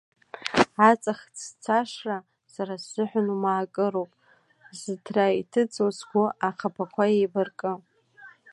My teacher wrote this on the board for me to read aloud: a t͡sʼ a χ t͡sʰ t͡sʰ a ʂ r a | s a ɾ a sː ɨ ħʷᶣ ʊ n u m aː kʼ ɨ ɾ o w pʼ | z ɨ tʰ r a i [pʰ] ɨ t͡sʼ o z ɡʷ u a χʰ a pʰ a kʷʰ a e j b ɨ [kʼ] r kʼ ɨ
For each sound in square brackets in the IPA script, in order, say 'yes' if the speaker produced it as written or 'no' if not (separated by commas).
no, no